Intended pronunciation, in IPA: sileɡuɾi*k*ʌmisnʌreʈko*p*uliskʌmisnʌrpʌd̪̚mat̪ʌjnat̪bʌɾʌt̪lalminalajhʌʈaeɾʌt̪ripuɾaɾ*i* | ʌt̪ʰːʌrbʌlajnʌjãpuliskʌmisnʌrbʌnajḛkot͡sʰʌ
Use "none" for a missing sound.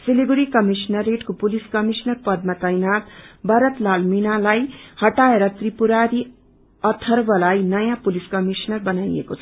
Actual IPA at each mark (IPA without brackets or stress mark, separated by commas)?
k, p, i